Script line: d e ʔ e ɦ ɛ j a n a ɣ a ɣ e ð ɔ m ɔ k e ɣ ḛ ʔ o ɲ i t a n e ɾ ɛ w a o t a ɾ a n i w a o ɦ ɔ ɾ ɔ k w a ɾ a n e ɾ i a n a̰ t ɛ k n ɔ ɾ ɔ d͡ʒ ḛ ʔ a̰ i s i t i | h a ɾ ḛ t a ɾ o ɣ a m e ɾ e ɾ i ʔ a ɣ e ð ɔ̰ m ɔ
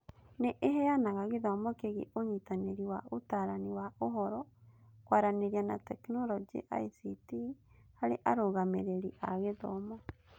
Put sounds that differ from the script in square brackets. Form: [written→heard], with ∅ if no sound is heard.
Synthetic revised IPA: [d→n] e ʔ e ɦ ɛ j a n a ɣ a ɣ e ð ɔ m ɔ k e ɣ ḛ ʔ o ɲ i t a n e ɾ [ɛ→i] w a o t a ɾ a n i w a o ɦ ɔ ɾ ɔ k w a ɾ a n e ɾ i a n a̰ t ɛ k n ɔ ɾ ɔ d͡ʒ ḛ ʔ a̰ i s i t i | h a ɾ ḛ [t→ʔ] a ɾ o ɣ a m e ɾ e ɾ i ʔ a ɣ e ð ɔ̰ m ɔ